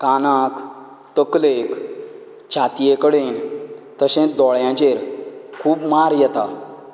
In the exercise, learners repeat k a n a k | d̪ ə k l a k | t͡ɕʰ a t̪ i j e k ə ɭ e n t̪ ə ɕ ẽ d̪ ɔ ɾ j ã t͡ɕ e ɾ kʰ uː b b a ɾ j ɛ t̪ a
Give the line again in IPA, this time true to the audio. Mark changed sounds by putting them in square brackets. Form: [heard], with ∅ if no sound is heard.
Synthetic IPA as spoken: k a n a k | [t̪] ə k l [e] k | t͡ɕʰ a t̪ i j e k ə [ɽ] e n t̪ ə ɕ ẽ d̪ ɔ [ɭ] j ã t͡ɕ e ɾ kʰ uː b [m] a ɾ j ɛ t̪ a

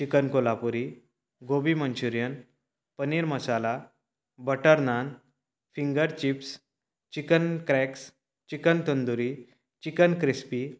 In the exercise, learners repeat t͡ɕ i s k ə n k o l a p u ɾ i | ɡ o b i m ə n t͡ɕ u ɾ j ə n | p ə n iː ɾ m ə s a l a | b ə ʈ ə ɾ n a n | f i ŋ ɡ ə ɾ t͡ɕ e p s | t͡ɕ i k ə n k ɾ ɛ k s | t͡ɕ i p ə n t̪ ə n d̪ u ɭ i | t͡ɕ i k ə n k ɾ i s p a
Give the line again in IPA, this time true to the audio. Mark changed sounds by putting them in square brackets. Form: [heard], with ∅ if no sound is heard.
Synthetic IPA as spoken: t͡ɕ i [∅] k ə n k o l a p u ɾ i | ɡ o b i m ə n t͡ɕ u ɾ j ə n | p ə n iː ɾ m ə s a l a | b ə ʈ ə ɾ n a n | f i ŋ ɡ ə ɾ t͡ɕ [i] p s | t͡ɕ i k ə n k ɾ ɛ k s | t͡ɕ i [k] ə n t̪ ə n d̪ u [ɾ] i | t͡ɕ i k ə n k ɾ i s p [i]

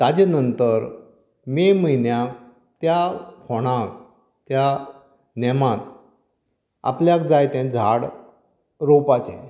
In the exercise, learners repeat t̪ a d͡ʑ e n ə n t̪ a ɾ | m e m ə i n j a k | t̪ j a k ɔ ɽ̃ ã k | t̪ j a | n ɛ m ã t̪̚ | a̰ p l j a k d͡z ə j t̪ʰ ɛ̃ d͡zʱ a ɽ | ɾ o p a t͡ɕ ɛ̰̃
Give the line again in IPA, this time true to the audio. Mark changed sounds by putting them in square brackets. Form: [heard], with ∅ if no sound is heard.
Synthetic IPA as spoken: t̪ a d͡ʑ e n ə n t̪ [ə] ɾ | m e m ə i n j a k | t̪ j a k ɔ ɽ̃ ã k | t̪ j a | n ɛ m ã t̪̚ | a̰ p l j a k d͡z [a] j [t̪] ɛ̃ d͡zʱ a ɽ | ɾ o p a t͡ɕ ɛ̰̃

